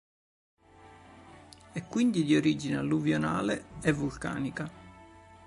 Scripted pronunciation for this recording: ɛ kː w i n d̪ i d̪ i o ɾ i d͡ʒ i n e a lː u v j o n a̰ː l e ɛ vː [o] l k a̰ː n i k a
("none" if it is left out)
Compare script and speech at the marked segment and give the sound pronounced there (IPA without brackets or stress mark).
u